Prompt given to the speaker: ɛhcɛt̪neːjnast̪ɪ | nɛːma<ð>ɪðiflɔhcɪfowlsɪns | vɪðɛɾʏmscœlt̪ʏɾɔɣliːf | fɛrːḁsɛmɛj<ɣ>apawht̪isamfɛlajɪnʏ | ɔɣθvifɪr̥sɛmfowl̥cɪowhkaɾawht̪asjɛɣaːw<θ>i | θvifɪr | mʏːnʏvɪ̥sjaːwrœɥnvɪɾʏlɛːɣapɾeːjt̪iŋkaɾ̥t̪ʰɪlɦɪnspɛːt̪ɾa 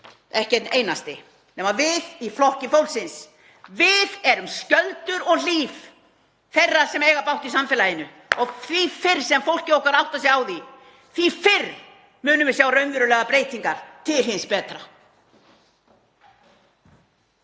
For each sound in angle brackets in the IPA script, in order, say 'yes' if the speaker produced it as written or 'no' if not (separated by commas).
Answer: no, yes, no